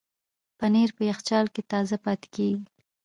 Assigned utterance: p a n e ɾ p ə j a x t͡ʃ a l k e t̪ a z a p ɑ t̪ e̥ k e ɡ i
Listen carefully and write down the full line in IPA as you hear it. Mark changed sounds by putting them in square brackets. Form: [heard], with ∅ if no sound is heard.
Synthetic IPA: p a n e ɾ p ə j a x t͡ʃ [ɑ] l k e t̪ [ɑ] z a p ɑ t̪ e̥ k e ɡ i